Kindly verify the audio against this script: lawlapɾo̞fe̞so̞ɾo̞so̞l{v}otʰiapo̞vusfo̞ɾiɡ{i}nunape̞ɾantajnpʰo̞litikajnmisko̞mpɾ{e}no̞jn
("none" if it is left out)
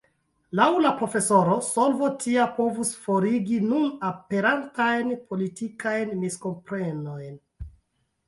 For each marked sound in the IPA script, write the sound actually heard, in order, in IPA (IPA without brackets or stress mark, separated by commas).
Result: v, i, e